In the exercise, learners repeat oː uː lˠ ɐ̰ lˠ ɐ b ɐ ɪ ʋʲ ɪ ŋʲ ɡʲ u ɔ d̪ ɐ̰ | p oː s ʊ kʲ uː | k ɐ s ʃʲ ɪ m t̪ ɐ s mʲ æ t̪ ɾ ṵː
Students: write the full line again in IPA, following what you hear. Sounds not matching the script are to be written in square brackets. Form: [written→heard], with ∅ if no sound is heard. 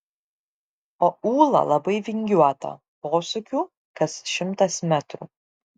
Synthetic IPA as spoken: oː uː lˠ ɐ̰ lˠ ɐ b ɐ ɪ ʋʲ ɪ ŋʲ ɡʲ u ɔ [d̪→t̪] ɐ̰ | p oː s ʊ kʲ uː | k ɐ s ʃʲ ɪ m t̪ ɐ s mʲ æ t̪ ɾ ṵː